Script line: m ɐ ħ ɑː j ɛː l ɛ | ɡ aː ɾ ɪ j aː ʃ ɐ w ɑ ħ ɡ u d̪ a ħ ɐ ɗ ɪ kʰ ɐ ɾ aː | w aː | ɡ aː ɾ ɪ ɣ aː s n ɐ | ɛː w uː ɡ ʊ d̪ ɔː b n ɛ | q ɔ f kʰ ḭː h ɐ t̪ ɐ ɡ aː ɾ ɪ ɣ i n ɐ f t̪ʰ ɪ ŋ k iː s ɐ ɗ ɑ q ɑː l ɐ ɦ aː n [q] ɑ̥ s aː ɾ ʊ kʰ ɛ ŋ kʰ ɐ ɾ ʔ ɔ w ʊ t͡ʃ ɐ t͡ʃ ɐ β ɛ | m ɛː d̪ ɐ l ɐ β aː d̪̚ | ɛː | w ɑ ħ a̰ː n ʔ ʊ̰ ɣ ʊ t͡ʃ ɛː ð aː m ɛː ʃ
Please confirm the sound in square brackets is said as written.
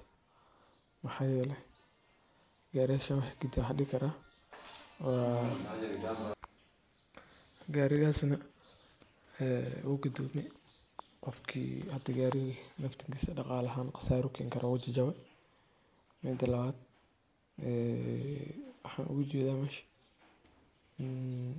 yes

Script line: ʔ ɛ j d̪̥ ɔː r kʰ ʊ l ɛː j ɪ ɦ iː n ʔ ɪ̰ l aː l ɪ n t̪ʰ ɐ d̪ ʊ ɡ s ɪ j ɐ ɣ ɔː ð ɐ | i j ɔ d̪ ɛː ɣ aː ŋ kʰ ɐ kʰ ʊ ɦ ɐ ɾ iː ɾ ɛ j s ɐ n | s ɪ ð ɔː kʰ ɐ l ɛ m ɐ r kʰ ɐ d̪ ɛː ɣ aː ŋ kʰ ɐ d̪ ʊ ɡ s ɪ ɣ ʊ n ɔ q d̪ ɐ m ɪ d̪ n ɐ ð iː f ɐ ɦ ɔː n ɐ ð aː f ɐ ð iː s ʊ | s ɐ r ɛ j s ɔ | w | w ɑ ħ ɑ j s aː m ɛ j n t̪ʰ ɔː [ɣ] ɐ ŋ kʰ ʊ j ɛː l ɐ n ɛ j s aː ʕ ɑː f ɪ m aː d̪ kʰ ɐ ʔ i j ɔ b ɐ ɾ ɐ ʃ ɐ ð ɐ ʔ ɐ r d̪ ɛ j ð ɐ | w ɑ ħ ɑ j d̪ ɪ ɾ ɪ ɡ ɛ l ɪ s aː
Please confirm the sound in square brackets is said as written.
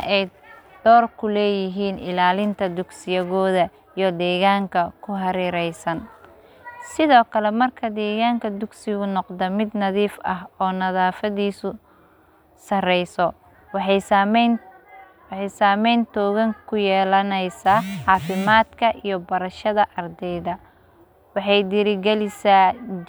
yes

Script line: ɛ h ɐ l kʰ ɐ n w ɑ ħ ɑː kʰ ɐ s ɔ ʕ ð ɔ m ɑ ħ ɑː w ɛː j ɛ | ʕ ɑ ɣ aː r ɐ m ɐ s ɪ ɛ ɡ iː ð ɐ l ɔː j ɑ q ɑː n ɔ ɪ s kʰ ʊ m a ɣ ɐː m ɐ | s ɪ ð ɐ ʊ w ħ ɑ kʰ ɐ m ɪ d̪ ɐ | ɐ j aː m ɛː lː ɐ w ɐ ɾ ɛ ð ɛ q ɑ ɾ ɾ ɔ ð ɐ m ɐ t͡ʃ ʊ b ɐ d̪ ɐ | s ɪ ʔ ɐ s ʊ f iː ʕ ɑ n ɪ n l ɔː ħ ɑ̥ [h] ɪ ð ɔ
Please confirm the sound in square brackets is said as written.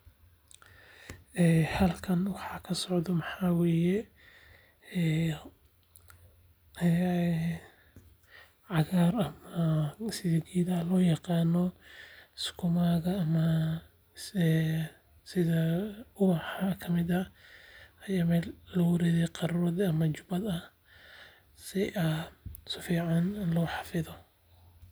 no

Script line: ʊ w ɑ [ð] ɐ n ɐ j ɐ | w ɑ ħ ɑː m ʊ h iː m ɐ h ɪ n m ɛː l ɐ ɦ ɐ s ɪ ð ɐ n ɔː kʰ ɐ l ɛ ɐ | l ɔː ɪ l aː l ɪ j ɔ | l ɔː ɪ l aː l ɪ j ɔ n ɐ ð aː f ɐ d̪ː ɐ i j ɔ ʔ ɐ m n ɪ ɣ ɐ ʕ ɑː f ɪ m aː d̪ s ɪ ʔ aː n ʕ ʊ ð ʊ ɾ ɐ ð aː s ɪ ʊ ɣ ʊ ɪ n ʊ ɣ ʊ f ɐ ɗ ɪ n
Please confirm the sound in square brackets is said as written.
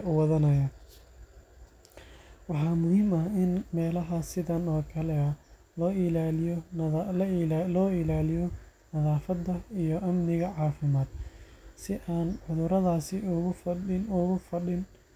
yes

